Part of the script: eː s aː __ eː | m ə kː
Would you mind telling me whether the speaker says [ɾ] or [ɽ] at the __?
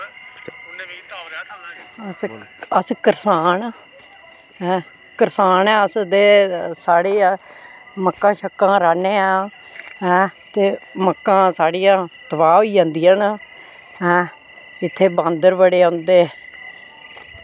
ɽ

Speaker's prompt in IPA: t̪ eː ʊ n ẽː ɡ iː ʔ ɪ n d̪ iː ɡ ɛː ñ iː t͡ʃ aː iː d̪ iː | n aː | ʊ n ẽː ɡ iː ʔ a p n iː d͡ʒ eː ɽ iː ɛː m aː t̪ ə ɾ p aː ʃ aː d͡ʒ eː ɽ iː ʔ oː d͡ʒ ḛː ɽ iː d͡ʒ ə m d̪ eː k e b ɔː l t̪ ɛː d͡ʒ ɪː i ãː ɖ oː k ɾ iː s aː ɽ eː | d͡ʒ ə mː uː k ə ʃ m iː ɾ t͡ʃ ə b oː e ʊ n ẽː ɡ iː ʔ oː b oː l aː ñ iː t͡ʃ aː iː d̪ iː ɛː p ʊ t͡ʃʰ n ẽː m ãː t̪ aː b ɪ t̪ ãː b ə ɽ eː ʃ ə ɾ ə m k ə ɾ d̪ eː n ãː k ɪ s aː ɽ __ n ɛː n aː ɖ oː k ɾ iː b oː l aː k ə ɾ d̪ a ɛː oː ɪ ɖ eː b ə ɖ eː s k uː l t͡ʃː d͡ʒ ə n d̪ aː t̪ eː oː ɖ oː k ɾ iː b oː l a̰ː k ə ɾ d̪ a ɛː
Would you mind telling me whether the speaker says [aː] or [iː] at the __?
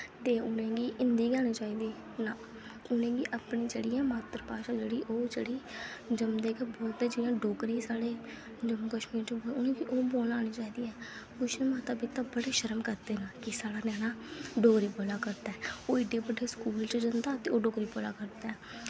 aː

